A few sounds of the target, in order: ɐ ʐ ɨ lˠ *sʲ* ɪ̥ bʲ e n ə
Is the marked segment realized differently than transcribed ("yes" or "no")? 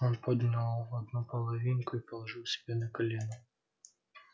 no